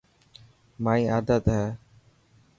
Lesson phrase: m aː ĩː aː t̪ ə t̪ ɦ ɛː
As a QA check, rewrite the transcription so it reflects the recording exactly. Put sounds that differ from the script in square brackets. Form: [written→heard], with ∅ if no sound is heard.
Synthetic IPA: m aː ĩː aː [t̪→d̪] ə t̪ ɦ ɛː